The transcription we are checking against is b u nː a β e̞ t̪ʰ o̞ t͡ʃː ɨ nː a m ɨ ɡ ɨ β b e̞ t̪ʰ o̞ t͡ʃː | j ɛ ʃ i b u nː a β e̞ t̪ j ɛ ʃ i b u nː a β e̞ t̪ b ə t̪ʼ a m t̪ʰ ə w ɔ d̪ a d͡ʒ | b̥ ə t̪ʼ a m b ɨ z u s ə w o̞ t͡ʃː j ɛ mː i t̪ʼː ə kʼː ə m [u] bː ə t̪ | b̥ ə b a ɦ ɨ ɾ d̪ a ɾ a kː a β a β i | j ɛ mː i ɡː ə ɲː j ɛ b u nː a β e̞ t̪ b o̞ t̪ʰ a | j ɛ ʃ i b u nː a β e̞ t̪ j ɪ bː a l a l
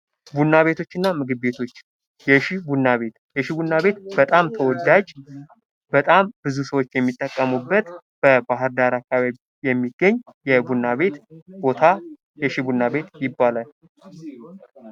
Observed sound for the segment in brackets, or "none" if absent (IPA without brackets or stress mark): u